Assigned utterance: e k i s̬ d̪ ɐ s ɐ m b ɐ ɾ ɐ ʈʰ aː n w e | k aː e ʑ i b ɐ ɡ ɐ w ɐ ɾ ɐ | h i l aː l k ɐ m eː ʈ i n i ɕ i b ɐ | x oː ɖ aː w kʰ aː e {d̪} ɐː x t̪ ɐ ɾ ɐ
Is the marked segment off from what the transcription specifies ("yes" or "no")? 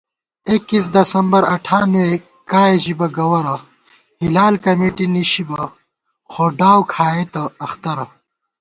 yes